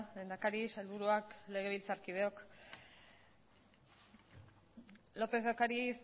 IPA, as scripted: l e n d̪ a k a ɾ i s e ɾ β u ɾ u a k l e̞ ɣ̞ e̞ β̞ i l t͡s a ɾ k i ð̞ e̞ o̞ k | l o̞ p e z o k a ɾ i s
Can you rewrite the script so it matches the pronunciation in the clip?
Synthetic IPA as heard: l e n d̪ a k a ɾ i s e l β u ɾ u a k l e̞ ɣ̞ e̞ β̞ i l t͡s a ɾ k i ð̞ e̞ o̞ k | l o̞ p e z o k a ɾ i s